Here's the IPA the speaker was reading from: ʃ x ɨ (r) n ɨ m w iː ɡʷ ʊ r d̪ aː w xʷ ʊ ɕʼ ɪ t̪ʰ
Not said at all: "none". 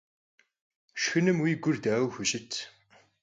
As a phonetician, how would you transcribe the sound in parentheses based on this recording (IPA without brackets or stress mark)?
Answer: none